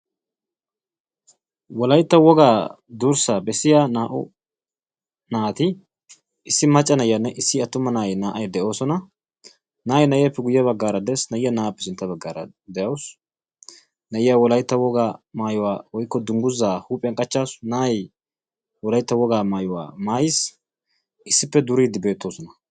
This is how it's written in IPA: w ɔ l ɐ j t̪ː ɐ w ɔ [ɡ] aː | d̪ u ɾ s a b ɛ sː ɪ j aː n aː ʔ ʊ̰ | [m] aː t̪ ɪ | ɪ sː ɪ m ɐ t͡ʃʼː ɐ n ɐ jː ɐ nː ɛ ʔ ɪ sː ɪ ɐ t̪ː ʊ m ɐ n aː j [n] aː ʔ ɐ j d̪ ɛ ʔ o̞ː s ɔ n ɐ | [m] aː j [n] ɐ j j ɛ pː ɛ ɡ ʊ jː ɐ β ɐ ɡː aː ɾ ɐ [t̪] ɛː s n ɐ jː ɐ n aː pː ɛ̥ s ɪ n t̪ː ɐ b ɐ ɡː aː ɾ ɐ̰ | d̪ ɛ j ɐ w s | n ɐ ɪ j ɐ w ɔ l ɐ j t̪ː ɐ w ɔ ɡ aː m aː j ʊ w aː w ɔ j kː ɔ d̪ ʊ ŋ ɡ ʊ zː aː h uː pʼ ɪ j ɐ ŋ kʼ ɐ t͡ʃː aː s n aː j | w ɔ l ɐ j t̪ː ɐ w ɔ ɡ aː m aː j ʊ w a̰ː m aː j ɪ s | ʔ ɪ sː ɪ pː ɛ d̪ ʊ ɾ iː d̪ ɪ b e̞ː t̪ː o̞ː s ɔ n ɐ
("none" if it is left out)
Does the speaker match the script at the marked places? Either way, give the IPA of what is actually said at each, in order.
ɡ, n, n, n, n, d̪

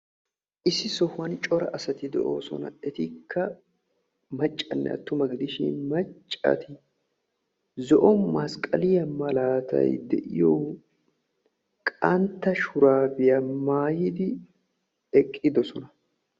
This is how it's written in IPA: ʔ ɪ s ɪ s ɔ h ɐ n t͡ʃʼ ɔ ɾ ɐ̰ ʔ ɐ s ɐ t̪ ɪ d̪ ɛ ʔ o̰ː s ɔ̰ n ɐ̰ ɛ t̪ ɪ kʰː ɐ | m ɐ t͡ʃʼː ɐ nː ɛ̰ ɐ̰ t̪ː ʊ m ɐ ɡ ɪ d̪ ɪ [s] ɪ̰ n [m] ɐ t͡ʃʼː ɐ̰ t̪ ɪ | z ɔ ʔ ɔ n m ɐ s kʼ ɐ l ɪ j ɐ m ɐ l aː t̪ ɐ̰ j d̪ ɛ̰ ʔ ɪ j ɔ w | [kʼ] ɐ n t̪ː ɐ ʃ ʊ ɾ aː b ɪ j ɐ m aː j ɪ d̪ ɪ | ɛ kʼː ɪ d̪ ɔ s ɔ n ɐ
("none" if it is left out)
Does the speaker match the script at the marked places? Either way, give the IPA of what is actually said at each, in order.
ʃ, m, kʼ

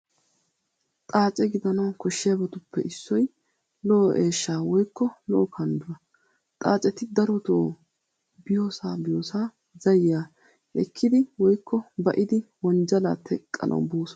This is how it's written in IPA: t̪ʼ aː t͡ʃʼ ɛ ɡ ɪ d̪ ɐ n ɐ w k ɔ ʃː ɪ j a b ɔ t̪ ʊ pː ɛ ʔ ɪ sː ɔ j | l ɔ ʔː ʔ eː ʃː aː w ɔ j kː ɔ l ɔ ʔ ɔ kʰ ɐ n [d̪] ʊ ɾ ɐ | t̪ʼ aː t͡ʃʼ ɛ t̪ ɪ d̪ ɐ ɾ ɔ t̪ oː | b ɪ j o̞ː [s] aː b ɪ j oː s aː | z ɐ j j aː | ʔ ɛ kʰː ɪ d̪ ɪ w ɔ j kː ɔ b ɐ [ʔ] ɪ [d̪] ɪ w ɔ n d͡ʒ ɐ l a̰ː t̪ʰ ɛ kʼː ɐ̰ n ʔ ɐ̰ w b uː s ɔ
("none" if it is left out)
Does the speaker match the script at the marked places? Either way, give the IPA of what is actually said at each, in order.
d̪, s, ʔ, d̪

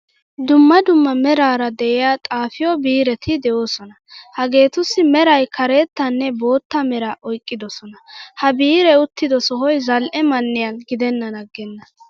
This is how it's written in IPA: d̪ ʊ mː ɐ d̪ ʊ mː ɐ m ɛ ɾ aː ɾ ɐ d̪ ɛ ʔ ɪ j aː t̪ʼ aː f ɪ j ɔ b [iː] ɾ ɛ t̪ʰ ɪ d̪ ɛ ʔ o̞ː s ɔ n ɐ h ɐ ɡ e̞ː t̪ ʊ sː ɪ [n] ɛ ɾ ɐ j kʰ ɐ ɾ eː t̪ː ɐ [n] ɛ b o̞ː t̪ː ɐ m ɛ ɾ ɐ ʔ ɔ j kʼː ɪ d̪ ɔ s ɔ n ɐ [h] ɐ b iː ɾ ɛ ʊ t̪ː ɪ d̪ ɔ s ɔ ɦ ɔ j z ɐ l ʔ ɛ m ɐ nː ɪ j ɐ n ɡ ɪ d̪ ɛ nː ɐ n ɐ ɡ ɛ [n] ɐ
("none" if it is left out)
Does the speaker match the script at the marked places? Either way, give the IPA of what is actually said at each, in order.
iː, m, nː, h, nː

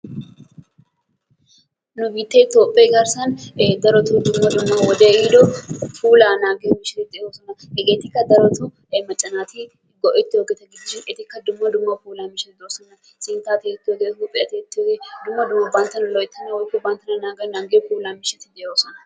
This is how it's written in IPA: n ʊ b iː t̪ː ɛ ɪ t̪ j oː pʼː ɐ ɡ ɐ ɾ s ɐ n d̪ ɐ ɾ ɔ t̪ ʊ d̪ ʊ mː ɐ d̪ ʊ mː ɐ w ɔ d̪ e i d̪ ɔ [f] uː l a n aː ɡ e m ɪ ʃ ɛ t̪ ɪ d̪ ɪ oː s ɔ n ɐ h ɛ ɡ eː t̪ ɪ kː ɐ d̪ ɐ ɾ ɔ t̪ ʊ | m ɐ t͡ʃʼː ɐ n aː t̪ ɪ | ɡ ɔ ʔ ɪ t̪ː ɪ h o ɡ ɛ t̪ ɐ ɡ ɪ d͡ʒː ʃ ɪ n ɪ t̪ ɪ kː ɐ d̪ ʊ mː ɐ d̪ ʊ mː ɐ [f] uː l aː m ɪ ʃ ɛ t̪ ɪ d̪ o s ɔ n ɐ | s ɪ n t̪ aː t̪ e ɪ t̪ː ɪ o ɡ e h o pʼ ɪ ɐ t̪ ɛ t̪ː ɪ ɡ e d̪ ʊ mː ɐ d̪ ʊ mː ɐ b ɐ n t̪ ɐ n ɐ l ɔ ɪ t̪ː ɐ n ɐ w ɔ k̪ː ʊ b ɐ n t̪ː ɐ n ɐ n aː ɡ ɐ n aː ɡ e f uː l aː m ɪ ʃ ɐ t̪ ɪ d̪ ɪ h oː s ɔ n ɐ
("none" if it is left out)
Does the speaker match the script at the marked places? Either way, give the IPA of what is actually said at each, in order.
f, f

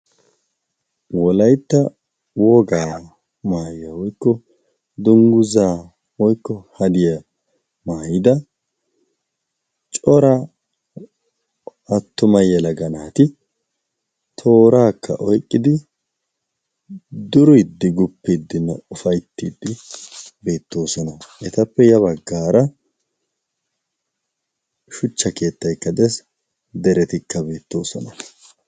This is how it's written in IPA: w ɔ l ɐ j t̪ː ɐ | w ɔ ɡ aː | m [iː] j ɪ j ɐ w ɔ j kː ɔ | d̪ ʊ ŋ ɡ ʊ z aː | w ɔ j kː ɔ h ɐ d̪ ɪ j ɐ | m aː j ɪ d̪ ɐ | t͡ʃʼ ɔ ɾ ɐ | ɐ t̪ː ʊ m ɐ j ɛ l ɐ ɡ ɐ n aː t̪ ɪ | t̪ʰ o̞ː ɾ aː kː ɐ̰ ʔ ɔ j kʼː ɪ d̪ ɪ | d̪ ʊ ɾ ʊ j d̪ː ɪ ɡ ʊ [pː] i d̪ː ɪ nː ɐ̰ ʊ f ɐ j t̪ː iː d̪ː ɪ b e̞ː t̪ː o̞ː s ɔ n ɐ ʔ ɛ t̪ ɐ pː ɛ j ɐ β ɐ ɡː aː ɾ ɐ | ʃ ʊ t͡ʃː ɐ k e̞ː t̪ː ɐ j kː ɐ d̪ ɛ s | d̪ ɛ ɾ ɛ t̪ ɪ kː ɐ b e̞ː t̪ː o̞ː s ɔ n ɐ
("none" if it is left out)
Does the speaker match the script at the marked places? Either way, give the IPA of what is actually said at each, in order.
aː, pː

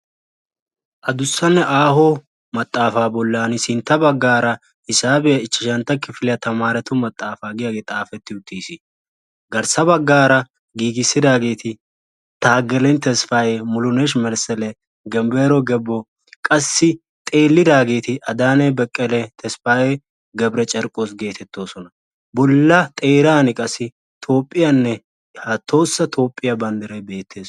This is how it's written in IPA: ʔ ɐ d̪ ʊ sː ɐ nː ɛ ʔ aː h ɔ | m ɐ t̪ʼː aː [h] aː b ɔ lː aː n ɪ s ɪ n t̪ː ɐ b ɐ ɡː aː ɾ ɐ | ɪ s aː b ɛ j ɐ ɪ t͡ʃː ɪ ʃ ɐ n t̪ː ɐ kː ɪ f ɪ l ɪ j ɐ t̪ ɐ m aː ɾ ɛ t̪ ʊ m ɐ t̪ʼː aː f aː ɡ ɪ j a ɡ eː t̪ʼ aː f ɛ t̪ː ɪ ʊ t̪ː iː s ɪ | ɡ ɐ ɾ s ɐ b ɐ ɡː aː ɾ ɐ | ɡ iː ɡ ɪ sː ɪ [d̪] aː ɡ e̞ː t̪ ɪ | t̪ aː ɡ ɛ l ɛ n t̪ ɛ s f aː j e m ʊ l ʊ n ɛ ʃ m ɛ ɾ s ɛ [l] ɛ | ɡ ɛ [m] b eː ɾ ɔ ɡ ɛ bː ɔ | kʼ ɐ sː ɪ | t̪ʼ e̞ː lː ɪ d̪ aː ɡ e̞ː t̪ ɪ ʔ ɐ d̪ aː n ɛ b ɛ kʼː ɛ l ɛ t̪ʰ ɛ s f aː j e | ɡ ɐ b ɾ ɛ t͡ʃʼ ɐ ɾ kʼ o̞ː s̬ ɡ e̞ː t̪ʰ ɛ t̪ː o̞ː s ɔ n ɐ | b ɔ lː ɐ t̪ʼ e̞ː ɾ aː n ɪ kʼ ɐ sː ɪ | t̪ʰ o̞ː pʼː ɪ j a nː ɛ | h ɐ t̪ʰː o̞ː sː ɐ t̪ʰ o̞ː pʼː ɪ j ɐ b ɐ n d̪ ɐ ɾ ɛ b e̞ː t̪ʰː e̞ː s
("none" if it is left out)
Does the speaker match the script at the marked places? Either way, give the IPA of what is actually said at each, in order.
f, d̪, l, m

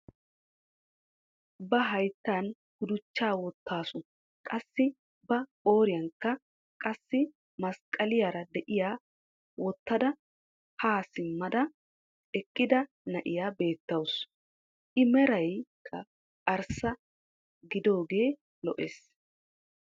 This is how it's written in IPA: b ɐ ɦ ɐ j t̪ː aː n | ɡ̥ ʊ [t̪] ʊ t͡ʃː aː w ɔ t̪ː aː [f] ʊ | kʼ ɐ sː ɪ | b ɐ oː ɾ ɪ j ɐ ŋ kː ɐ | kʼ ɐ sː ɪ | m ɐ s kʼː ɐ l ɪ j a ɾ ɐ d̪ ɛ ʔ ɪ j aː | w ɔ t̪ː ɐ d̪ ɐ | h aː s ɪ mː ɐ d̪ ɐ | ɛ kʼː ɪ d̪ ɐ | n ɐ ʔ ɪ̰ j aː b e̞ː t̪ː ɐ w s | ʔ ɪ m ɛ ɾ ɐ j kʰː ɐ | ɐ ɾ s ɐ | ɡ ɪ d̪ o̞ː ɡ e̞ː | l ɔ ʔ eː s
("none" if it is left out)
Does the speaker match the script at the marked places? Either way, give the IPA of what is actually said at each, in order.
d̪, s

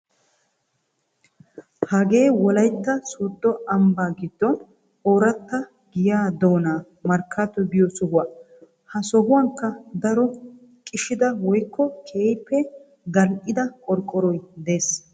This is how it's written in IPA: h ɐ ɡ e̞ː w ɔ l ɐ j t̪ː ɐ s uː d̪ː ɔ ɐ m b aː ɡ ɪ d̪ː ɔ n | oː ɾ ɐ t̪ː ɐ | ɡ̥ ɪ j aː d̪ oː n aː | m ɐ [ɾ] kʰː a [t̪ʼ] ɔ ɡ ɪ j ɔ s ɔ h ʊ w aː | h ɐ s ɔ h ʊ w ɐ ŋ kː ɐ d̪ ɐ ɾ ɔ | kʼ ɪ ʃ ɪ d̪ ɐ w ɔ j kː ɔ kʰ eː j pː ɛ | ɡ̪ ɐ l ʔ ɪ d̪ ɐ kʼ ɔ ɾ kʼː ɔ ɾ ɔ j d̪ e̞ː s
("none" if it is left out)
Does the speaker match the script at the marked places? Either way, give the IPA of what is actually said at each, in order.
ɾ, t̪

